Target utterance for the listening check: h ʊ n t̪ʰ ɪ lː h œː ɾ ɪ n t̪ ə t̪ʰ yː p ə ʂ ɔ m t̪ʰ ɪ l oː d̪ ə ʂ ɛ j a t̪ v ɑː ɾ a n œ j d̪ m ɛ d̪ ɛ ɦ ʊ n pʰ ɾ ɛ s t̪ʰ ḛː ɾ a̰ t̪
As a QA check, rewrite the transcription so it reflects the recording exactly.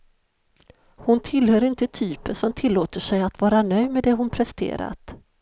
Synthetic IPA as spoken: h ʊ n t̪ʰ ɪ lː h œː ɾ ɪ n t̪ ə t̪ʰ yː p ə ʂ ɔ m t̪ʰ ɪ lː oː t̪ ə ʂ ɛ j a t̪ v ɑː ɾ a n œ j d̪ m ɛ d̪ ɛ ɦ ʊ n pʰ ɾ ɛ s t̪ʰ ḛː ɾ a̰ t̪

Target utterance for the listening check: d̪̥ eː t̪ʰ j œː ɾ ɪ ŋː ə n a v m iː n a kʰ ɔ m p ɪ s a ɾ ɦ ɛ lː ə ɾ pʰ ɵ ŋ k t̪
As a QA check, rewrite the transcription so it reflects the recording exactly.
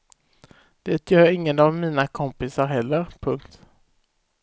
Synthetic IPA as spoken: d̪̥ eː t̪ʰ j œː ɾ ɪ ŋː ə n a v m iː n a kʰ ɔ m p ɪ s a ɾ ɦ ɛ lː ə ɾ pʰ ɵ ŋ k t̪

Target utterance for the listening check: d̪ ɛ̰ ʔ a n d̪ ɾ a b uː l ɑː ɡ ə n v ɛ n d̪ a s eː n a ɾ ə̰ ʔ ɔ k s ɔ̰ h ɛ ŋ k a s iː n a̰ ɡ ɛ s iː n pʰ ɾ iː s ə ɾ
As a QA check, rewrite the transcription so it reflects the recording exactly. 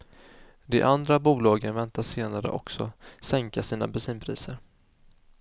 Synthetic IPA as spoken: d̪ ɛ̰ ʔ a n d̪ ɾ a b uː l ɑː ɡ ə n v ɛ n t̪ a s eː n a ɾ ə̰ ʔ ɔ k s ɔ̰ s ɛ ŋ k a s iː n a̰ b ɛ s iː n pʰ ɾ iː s ə ɾ

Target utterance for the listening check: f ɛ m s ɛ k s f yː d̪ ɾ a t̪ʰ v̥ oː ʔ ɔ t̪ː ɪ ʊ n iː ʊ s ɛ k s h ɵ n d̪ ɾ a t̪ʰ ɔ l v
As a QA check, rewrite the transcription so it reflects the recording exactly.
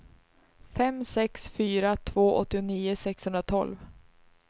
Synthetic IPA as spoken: f ɛ m s ɛ k s f yː ɾ a t̪ʰ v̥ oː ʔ ɔ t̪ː ɪ ʊ n iː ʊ s ɛ k s h ɵ n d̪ ɾ a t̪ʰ ɔ l v

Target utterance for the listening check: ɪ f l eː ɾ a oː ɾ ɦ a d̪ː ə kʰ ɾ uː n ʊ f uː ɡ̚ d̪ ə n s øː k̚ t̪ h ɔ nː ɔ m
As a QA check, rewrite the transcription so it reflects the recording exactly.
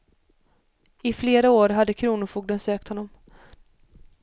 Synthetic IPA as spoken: ɪ f l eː ɾ a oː ɾ ɦ a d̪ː ə kʰ ɾ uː n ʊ f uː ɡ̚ d̪ ə n s øː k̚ t̪ h ɔ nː ɔ m

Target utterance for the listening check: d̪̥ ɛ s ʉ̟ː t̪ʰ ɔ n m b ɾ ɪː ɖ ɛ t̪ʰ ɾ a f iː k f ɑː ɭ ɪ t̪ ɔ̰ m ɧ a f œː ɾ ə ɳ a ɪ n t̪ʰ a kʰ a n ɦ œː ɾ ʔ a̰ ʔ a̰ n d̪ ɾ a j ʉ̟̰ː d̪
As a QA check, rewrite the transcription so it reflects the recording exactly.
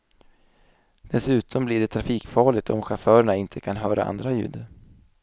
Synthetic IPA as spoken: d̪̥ ɛ s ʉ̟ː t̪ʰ ɔ m b l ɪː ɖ ɛ t̪ʰ ɾ a f iː k f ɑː ɭ ɪ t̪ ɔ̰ m ɧ a f œː ɾ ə ɳ a ɪ n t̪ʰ ə kʰ a n ɦ œː ɾ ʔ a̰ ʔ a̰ n d̪ ɾ a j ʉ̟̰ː d̪

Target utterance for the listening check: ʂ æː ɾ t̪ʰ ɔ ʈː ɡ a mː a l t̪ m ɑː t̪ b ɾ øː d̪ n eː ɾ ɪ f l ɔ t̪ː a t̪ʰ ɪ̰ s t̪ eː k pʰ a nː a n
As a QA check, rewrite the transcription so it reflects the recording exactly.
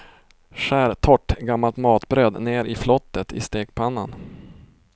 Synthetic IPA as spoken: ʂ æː ɾ t̪ʰ ɔ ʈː ɡ a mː a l t̪ m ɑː t̪ b ɾ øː d̪ n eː ɾ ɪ f l ɔ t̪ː ə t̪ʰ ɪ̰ s t̪ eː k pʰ a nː a n

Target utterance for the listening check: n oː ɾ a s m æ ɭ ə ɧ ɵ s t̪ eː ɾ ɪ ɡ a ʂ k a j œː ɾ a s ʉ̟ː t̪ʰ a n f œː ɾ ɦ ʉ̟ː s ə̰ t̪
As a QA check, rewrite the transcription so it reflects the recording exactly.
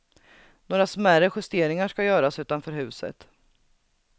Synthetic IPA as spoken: n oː ɾ a s m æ ɾ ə ɧ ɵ s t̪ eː ɾ ɪ ŋ a ʂ k a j œː ɾ a s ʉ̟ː t̪ a n f œː ɾ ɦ ʉ̟ː s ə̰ t̪

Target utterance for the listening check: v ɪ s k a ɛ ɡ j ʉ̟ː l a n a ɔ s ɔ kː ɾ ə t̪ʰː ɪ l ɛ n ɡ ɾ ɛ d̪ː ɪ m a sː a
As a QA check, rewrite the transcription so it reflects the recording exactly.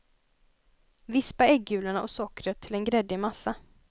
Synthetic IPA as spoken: v ɪ s p a ɛ ɡ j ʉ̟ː l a ɳ a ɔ s ɔ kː ɾ ə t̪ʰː ɪ l ɛ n ɡ ɾ ɛ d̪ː ɪ m a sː a

